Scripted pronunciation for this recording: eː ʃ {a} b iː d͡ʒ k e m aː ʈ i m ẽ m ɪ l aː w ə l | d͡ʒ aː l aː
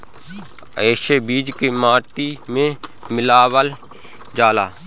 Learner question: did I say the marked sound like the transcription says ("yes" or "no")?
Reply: no